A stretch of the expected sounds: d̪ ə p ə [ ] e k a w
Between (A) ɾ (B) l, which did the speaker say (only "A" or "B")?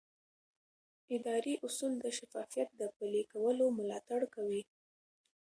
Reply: B